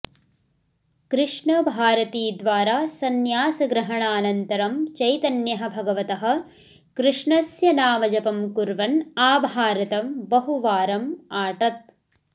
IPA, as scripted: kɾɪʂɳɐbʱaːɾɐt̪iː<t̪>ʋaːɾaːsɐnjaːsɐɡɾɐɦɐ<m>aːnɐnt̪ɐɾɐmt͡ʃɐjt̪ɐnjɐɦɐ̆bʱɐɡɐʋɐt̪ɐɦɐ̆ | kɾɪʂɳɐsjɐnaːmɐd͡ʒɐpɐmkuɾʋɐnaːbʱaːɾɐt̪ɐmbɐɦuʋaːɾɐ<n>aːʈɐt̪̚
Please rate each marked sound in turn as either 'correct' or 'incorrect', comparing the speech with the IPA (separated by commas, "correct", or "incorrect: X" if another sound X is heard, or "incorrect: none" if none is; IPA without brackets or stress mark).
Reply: incorrect: d̪, incorrect: ɳ, incorrect: m